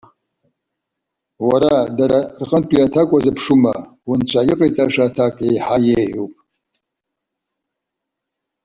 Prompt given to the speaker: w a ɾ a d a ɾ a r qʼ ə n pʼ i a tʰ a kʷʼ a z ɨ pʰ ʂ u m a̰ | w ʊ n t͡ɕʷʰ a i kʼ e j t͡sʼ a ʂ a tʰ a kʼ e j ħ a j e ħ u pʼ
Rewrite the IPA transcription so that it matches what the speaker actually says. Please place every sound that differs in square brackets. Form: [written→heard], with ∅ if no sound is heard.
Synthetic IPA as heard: w a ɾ a d a ɾ a r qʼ ə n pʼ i a tʰ a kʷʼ a z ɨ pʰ ʂ u m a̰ | w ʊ n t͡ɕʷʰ a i [kʼ→qʼ] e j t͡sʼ a ʂ a tʰ a kʼ e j ħ a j e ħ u pʼ